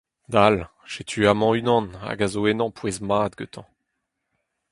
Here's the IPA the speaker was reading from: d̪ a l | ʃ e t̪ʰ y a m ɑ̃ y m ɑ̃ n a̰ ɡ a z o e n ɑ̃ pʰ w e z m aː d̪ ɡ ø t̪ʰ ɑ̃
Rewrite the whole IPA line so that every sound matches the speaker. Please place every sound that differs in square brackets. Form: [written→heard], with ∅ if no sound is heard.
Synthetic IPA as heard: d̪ a l | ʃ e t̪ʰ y a m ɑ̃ y [m→n] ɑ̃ n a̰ ɡ a z o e n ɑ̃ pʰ w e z m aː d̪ ɡ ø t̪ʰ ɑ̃

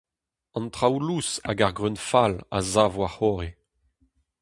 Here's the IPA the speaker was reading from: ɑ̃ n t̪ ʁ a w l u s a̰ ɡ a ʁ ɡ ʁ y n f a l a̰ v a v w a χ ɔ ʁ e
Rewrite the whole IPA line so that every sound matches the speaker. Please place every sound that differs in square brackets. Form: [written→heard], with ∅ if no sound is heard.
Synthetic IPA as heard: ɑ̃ n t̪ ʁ a w l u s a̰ ɡ a ʁ ɡ ʁ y n f a l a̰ [v→z] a v w a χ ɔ ʁ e

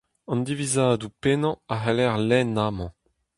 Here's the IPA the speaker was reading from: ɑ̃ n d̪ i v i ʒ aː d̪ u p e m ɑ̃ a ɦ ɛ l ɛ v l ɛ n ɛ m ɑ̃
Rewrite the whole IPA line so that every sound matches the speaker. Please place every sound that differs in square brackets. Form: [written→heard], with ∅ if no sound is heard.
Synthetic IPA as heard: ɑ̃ n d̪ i v i [ʒ→z] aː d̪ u p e [m→n] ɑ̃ a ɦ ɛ l ɛ [v→ʁ] l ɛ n [ɛ→a] m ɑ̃

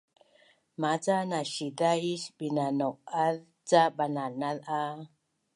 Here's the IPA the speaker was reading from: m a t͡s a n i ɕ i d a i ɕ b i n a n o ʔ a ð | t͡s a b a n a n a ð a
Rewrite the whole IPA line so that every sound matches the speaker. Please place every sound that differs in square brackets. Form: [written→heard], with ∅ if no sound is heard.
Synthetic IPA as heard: m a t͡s a n [i→a] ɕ i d a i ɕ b i n a n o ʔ a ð | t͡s a b a n a n a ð a

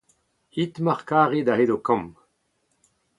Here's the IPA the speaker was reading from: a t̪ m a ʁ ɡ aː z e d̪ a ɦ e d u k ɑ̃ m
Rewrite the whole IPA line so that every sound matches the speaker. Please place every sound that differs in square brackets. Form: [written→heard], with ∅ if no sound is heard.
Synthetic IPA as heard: [a→i] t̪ m a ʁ [ɡ→k] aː [z→ʁ] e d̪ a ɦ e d [u→o] k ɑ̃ m

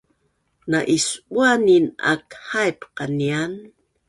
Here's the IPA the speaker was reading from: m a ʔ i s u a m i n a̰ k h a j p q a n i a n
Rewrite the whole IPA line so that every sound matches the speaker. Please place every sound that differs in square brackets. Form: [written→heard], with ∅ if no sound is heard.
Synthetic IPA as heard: [m→n] a ʔ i s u a [m→n] i n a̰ k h a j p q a n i a n

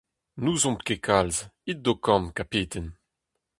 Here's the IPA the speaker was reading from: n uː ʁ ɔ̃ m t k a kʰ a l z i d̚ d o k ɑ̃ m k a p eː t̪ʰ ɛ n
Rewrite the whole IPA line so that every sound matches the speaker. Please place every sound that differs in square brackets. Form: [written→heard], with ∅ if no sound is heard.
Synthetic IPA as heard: n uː [ʁ→z] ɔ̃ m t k [a→e] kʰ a l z i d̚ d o k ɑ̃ m k a p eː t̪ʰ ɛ n

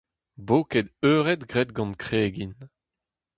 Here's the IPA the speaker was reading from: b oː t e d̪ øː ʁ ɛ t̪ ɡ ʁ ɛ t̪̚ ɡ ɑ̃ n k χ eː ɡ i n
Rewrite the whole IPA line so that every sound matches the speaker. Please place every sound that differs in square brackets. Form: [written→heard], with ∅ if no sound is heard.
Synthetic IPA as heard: b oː [t→k] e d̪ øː ʁ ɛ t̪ ɡ ʁ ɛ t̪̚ ɡ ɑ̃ n k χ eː ɡ i n

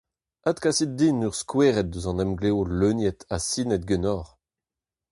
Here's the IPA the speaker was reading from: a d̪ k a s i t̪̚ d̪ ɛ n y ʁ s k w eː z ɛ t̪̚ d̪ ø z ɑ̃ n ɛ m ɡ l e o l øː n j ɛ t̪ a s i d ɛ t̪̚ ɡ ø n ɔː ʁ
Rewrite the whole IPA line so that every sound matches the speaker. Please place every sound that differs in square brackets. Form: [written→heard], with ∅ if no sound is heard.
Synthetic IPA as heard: a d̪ k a s i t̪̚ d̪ [ɛ→i] n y ʁ s k w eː [z→ʁ] ɛ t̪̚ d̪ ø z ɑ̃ n ɛ m ɡ l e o l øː n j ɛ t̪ a s i [d→n] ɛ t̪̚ ɡ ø n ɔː ʁ

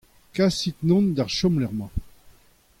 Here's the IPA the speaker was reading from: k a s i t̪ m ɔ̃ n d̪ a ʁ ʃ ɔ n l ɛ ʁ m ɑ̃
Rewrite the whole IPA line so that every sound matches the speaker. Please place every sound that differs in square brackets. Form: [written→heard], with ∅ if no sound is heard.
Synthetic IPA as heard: k a s i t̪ [m→n] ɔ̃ n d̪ a ʁ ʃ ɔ [n→m] l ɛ ʁ m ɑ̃

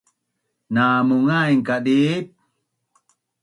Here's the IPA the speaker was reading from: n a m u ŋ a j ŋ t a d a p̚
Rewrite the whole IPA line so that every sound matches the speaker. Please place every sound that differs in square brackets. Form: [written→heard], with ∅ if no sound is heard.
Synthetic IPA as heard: n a m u ŋ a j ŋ [t→k] a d [a→i] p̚

